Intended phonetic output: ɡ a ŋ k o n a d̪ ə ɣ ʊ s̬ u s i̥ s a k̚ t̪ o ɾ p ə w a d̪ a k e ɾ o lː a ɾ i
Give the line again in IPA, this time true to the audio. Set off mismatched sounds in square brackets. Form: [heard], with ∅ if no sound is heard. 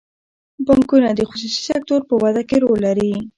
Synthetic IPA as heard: [b] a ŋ k [u] n a d̪ ə [x] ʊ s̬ u s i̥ s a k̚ t̪ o ɾ p ə w a d̪ a k e ɾ o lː a ɾ i

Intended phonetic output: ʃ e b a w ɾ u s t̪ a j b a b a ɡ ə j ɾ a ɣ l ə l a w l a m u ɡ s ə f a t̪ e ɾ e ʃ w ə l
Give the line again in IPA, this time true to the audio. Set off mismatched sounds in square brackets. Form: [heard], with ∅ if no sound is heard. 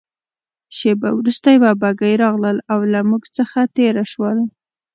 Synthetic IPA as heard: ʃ e b a w ɾ u s t̪ a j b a b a ɡ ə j ɾ [ɑ] ɣ l ə l a w l a m u ɡ [t͡s] ə [x] a t̪ e ɾ [a] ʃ w ə l

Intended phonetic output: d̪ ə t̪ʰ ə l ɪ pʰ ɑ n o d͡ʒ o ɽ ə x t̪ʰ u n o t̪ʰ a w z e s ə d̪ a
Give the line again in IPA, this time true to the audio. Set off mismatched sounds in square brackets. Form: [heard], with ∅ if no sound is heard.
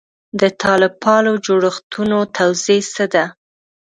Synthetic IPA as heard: d̪ ə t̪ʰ [ɑ] l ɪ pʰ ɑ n o d͡ʒ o ɽ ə x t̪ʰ u n o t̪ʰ a w z e s ə d̪ a

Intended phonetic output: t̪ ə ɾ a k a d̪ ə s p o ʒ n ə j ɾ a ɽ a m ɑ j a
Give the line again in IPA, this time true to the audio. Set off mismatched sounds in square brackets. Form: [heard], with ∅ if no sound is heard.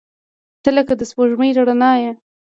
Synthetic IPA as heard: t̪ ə [l] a k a d̪ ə s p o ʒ [m] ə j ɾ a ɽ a [n] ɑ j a

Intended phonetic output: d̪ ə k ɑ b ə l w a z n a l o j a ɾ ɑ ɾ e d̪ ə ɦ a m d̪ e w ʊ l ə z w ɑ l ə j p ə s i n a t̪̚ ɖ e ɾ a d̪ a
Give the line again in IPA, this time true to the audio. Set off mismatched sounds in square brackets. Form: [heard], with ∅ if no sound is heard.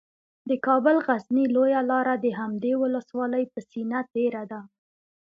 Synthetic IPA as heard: d̪ ə k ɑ b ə l [ɣ] a z n [i] l o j a [l] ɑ ɾ [a] d̪ ə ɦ a m d̪ e w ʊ l ə [s] w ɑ l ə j p ə s i n a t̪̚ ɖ e ɾ a d̪ a

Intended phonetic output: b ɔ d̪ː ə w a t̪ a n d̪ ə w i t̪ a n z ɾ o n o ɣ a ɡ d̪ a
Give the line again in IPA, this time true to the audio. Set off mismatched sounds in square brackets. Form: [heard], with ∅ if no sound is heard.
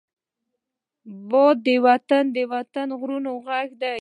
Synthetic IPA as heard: b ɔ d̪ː ə w a t̪ a n d̪ ə w [a] t̪ a n [ɣ] ɾ [u] n o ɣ a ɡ d̪ a

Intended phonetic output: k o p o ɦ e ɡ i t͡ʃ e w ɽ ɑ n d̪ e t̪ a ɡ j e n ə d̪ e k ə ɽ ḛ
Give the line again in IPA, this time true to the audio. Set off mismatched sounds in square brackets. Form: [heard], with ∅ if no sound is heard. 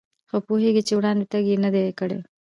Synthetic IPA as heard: [x] o p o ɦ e ɡ i t͡ʃ e w ɽ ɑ n d̪ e t̪ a ɡ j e n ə d̪ e k ə ɽ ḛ

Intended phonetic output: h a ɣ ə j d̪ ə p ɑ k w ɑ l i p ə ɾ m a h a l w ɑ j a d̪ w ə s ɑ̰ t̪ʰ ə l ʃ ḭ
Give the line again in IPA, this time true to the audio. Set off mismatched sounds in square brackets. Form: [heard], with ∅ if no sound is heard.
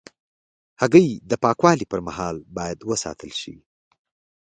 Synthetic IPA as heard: h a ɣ ə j d̪ ə p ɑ k w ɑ l i p ə ɾ m a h [ɑ] l [b] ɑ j a d̪ w ə s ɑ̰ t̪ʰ ə l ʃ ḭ

